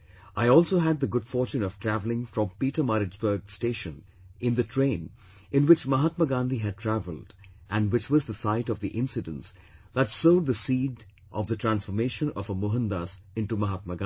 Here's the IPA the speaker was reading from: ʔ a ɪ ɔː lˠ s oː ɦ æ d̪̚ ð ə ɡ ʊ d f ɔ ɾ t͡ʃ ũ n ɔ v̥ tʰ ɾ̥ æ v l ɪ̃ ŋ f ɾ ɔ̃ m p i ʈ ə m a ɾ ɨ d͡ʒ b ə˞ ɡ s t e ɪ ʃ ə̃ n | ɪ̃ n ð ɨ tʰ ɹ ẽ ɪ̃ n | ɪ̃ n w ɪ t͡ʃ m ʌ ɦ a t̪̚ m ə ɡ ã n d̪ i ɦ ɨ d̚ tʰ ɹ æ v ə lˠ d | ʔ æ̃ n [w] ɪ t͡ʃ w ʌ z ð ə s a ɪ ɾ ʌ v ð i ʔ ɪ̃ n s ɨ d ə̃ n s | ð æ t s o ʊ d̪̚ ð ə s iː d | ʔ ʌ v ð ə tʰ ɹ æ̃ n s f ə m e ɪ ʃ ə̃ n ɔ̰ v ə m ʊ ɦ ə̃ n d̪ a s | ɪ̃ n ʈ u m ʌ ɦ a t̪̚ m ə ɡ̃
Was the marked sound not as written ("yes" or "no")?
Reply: no